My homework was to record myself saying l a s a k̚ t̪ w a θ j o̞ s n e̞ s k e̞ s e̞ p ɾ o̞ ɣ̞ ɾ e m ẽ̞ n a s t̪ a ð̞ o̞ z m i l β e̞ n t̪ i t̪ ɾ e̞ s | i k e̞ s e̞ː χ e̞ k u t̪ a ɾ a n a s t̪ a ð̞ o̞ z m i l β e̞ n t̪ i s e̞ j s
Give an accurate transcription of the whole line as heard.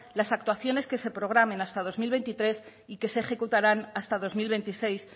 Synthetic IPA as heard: l a s a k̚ t̪ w a θ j o̞ n e̞ s k e̞ s e̞ p ɾ o̞ ɣ̞ ɾ a m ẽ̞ n a s t̪ a ð̞ o̞ z m i l β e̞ n t̪ i t̪ ɾ e̞ s | i k e̞ s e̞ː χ e̞ k u t̪ a ɾ a n a s t̪ a ð̞ o̞ z m i l β e̞ n t̪ i s e̞ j s